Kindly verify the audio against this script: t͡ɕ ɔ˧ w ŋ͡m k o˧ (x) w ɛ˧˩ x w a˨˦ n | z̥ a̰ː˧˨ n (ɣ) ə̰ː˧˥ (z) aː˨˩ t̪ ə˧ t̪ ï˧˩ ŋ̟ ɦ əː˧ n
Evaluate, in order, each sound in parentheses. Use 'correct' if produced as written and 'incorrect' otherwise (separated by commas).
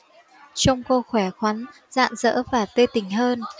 correct, incorrect, incorrect